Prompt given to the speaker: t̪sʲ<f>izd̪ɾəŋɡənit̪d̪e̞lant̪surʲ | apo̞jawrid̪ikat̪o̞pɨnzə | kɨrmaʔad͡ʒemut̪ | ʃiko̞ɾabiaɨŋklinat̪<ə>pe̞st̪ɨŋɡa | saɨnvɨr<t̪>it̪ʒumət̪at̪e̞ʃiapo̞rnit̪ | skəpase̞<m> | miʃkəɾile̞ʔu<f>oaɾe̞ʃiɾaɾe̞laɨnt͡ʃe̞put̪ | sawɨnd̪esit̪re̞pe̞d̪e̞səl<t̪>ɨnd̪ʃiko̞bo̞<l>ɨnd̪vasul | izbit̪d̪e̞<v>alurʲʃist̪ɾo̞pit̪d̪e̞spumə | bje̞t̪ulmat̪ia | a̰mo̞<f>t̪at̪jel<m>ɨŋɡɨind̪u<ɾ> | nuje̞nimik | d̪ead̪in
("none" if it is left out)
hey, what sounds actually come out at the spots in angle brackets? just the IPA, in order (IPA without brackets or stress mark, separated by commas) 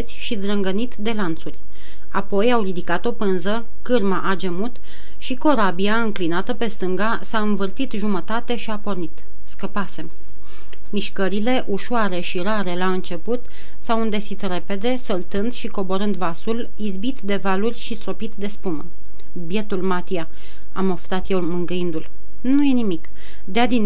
ʃ, ə, t̪, m, ʃ, t̪, ɾ, v, f, m, l